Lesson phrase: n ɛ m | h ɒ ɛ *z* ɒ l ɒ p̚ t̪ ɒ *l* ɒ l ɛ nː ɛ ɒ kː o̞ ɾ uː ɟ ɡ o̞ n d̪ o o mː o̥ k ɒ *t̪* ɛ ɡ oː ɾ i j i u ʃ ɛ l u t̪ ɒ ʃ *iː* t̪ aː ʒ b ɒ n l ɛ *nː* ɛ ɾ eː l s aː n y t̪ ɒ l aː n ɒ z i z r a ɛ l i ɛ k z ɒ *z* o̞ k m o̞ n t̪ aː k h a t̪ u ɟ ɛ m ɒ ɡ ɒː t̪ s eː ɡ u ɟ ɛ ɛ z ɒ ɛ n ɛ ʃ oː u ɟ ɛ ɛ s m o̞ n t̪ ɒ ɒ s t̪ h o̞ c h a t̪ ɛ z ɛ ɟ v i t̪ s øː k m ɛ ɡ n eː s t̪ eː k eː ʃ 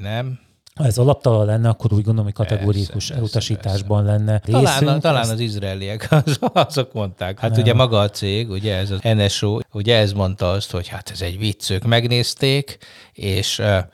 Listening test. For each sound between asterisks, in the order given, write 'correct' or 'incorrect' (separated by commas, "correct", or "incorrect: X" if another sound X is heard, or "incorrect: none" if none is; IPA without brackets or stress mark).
correct, correct, correct, correct, correct, correct